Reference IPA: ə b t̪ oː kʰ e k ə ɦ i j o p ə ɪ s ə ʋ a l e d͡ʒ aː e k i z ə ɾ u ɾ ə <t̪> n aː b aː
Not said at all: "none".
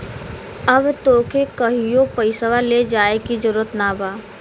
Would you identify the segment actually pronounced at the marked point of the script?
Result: t̪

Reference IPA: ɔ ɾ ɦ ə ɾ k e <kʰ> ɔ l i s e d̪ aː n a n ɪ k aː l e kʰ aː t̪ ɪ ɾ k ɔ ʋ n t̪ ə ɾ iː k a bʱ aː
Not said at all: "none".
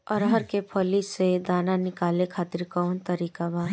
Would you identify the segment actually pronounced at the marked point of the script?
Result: pʰ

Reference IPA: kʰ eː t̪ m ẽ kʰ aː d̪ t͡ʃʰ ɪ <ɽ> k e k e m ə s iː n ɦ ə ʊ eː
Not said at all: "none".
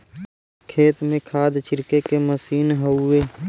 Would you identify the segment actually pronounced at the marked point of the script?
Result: ɾ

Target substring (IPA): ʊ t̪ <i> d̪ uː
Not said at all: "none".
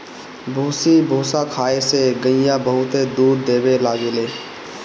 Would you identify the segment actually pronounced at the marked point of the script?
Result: e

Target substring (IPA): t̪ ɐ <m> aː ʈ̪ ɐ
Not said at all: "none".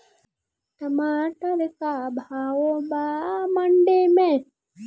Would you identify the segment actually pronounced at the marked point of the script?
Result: m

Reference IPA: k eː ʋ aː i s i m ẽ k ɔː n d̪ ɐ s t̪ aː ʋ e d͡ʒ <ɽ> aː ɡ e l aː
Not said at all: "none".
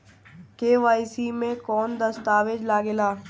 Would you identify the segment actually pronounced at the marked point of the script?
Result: l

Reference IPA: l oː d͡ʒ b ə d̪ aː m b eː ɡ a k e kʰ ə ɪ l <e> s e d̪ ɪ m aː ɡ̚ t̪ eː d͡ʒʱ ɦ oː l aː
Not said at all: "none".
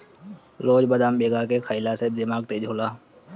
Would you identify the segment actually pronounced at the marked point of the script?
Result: a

